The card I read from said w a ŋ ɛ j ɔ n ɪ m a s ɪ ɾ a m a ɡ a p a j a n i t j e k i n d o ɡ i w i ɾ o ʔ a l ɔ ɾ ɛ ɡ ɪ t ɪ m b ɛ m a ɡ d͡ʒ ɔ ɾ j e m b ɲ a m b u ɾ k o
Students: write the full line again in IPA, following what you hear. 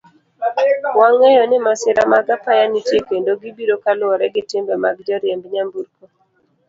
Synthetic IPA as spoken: w a ŋ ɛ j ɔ n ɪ m a s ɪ ɾ a m a ɡ a p a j a n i t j e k e n d o ɡ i b i ɾ o k a l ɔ ɾ ɛ ɡ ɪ t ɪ m b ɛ m a ɡ d͡ʒ ɔ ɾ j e m b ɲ a m b u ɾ k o